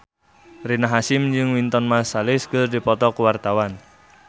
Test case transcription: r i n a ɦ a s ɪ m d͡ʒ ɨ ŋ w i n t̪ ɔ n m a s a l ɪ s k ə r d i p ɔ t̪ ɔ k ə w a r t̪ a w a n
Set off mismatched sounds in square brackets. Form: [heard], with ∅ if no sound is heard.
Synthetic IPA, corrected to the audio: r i n a ɦ a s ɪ m d͡ʒ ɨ ŋ w i n t̪ ɔ n m a s a l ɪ s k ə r d i p ɔ t̪ ɔ k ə w a r t̪ a w a n